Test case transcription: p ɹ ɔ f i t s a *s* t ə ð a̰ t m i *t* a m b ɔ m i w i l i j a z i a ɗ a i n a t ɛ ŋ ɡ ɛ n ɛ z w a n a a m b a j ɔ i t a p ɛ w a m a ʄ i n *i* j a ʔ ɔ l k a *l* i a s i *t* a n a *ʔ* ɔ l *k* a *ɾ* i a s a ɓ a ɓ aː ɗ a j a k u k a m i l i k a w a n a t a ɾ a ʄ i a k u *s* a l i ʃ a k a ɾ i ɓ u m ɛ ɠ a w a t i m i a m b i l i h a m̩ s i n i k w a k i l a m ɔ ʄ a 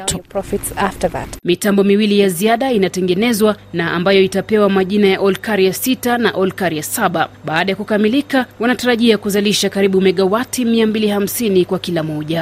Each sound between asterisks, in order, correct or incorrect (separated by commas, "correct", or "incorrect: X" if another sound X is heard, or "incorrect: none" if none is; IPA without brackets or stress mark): incorrect: f, correct, incorrect: a, incorrect: ɾ, correct, correct, correct, correct, incorrect: z